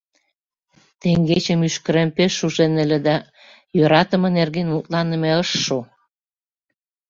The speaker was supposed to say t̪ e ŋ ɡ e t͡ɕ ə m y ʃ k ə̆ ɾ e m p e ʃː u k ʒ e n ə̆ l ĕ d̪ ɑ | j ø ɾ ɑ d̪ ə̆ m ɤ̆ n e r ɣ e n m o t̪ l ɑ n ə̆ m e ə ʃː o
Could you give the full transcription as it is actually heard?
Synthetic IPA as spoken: t̪ e ŋ ɡ e t͡ɕ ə m y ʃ k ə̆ ɾ e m p e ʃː u ʒ e n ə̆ l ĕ d̪ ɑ | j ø ɾ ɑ t̪ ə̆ m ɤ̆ n e r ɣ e n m u t̪ l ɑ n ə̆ m e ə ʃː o